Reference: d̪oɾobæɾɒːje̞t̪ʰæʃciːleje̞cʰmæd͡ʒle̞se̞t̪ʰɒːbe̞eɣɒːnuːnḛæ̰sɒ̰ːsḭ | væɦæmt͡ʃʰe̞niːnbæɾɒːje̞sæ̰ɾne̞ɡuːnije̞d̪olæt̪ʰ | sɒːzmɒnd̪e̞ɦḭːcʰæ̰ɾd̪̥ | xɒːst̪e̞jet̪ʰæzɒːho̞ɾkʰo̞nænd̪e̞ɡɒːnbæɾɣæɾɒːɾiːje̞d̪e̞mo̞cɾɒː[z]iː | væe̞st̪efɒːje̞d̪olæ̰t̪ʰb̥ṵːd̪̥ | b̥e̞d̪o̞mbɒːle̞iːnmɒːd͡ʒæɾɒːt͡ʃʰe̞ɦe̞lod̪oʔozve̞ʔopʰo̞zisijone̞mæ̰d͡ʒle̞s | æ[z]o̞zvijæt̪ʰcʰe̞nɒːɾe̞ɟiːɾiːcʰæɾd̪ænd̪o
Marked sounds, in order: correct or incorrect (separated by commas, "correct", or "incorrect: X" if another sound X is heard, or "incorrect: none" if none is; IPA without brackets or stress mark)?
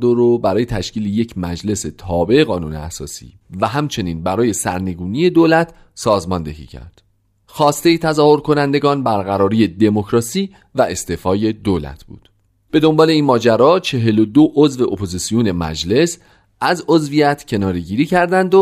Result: incorrect: s, correct